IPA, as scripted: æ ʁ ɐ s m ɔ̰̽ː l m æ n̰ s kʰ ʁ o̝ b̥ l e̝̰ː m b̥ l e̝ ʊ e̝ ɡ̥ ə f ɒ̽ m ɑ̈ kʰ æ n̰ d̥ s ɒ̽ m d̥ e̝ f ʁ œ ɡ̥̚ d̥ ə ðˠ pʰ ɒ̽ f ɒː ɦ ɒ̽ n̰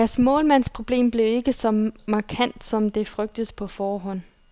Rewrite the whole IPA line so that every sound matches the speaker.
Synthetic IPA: æ ɐ s m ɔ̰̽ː l m æ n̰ s pʰ ʁ o̝ b̥ l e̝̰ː m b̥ l e̝ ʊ e̝ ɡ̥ ə s ɒ̽ m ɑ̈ kʰ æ n̰ d̥ s ɒ̽ m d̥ e̝ f ʁ œ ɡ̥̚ d̥ ə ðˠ pʰ ɒ̽ f ɒː ɦ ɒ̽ n̰